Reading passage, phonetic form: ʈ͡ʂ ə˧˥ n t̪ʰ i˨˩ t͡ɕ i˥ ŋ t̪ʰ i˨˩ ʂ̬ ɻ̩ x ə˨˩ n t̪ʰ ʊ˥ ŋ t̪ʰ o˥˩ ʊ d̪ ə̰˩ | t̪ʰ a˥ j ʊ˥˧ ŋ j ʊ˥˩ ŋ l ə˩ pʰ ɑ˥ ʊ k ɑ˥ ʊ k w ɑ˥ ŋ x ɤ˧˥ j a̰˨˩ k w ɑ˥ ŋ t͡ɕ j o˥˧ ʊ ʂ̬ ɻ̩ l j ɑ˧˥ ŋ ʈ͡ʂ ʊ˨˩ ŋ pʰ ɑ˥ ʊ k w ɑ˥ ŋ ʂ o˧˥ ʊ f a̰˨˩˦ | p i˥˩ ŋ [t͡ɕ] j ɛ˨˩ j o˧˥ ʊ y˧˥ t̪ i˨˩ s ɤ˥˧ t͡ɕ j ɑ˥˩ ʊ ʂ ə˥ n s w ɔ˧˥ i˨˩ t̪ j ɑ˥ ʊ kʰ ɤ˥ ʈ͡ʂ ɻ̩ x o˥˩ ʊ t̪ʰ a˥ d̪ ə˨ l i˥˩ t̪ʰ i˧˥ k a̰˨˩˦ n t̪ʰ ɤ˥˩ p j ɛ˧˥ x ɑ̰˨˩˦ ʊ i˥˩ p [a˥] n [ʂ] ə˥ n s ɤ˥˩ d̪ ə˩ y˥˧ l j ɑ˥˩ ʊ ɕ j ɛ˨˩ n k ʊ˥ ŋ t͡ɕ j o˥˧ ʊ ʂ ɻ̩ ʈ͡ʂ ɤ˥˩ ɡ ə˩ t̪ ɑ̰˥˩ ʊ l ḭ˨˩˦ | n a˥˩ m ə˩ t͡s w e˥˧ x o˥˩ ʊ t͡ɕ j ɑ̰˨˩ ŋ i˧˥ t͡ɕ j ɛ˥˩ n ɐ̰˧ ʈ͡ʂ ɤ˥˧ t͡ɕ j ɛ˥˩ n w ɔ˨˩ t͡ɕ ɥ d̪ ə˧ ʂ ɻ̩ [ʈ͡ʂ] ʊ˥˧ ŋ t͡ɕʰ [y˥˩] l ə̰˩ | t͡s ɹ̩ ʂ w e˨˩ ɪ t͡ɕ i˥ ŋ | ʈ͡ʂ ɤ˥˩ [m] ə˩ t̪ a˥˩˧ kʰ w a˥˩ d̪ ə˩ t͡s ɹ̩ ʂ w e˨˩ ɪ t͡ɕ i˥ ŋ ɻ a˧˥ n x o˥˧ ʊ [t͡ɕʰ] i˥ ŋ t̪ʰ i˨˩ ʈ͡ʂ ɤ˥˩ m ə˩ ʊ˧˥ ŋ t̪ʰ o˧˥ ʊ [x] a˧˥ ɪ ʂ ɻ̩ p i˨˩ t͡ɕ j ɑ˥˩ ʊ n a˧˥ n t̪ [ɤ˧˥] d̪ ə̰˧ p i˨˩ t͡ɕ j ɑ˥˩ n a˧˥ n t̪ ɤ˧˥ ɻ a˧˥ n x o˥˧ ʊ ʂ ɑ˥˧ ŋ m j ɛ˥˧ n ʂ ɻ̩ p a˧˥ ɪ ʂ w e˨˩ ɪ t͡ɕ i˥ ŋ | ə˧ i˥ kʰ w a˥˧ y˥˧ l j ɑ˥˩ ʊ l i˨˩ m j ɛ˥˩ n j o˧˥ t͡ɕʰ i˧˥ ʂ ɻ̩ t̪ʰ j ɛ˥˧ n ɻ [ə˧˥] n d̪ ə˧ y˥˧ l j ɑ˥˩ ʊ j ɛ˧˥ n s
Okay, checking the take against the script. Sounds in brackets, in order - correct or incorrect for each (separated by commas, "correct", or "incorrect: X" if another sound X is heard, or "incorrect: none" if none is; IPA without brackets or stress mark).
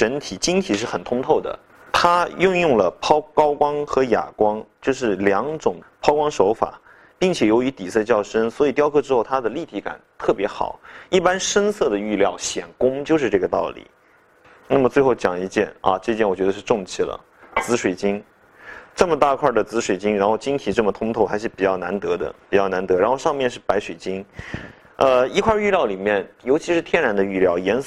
incorrect: t͡ɕʰ, correct, correct, correct, incorrect: i˥˩, correct, incorrect: t͡ɕ, correct, correct, incorrect: a˧˥